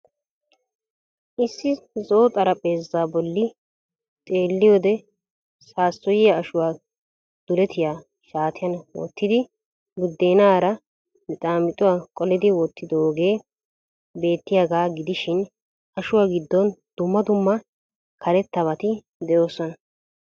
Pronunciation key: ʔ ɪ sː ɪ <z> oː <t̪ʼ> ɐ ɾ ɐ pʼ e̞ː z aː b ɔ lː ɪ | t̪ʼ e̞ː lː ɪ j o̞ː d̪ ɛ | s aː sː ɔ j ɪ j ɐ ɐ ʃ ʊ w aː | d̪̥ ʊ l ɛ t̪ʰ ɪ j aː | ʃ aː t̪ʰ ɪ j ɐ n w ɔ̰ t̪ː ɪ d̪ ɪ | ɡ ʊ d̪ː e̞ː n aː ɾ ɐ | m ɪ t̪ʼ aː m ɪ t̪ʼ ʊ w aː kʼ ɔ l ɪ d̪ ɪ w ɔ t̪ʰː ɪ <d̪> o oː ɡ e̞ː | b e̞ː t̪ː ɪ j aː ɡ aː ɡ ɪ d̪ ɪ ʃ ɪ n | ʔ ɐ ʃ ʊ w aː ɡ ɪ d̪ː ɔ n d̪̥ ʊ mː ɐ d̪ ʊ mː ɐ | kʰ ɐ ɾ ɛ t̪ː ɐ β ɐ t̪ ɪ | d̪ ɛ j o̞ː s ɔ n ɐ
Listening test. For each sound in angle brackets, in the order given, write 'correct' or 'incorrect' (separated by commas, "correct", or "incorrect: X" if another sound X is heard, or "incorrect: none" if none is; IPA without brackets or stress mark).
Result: correct, correct, correct